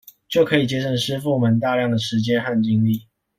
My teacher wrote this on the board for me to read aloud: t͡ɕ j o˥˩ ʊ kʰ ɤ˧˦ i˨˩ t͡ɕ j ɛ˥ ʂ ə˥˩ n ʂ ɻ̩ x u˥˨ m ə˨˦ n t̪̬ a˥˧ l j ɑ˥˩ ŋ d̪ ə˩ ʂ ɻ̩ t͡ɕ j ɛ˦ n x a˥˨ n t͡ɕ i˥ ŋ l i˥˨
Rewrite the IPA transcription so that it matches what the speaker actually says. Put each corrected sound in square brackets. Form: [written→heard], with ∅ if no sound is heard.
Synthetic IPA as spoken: t͡ɕ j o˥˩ ʊ kʰ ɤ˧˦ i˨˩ t͡ɕ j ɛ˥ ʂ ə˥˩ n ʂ ɻ̩ [x→f] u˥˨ m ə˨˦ n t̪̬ a˥˧ l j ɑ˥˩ ŋ d̪ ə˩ ʂ ɻ̩ t͡ɕ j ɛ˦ n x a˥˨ n t͡ɕ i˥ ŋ l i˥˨